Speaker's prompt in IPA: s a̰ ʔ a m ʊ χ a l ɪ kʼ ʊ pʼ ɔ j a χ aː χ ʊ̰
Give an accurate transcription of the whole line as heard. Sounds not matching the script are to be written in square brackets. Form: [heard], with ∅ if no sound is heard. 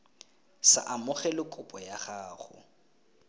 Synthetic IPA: s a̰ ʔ a m ʊ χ [ɛ] l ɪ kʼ ʊ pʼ ɔ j a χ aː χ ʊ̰